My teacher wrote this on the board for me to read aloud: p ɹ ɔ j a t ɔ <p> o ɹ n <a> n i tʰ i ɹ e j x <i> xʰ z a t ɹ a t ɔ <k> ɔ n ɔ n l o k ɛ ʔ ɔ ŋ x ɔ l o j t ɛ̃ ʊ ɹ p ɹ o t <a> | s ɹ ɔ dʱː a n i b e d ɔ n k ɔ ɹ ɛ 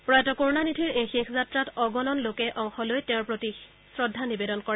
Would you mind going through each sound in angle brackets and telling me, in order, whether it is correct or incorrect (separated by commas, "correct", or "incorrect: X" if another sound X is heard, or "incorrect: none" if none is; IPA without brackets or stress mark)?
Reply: incorrect: k, correct, incorrect: e, incorrect: ɡ, incorrect: i